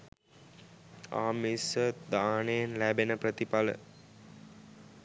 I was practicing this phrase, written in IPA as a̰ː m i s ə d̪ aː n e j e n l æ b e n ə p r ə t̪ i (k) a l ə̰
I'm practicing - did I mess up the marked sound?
yes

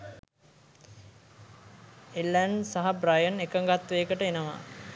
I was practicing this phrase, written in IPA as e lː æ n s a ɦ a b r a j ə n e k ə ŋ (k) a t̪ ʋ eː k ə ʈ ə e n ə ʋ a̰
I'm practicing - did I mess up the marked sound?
yes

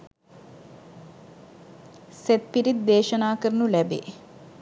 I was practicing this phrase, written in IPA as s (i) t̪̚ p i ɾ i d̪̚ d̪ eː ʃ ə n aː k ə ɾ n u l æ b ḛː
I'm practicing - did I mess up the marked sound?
yes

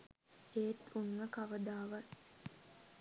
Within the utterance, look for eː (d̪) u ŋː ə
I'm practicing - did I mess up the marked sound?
yes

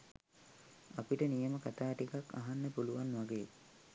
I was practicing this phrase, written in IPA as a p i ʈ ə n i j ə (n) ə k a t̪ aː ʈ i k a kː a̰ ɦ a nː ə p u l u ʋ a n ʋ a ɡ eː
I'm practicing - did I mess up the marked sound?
yes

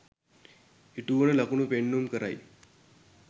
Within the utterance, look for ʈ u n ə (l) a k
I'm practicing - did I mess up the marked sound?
no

